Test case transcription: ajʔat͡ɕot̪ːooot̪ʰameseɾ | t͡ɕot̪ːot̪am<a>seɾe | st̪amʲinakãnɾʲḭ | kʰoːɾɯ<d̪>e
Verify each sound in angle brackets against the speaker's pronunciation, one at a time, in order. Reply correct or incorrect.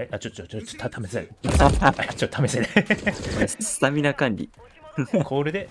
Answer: incorrect, correct

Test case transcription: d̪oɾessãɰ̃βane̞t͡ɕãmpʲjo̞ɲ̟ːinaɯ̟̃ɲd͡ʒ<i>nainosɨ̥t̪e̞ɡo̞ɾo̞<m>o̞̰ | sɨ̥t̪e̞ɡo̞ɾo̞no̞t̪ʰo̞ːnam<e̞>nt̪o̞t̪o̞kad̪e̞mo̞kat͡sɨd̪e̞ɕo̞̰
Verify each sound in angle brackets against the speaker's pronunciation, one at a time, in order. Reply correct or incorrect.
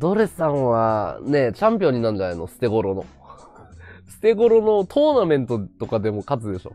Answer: incorrect, incorrect, incorrect

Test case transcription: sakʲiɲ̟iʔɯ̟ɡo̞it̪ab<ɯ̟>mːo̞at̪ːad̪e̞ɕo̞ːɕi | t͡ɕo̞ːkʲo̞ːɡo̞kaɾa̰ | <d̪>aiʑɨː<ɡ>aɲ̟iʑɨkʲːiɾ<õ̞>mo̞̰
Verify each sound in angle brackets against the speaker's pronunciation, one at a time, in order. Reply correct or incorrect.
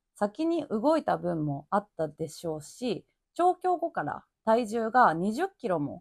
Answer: incorrect, incorrect, correct, incorrect

